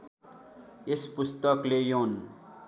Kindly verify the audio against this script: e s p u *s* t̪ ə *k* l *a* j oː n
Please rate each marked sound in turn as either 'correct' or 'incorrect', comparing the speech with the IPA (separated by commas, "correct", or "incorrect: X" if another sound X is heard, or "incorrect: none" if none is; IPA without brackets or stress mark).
correct, correct, incorrect: e